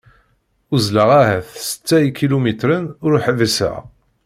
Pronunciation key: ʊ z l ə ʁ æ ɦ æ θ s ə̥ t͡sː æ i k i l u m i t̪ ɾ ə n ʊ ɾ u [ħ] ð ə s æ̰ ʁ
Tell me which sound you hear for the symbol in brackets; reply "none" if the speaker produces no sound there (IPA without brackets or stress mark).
ħ